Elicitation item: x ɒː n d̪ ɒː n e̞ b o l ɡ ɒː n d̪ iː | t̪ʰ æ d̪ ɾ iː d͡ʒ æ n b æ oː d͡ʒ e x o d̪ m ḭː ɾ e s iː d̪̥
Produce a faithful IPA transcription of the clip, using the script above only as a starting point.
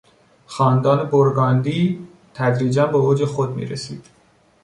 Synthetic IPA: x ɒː n d̪ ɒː n e̞ b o ɾ ɡ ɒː n d̪ iː | t̪ʰ æ d̪ ɾ iː d͡ʒ æ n b e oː d͡ʒ e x o d̪ m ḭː ɾ e s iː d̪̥